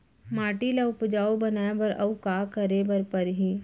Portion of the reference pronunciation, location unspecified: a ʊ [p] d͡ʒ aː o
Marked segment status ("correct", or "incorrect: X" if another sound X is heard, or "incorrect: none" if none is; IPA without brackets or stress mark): correct